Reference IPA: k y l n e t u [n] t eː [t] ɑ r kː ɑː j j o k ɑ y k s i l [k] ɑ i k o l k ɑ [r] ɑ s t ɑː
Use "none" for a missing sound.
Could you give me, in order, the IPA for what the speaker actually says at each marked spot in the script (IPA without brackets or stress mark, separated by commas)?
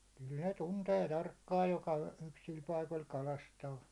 n, t, p, l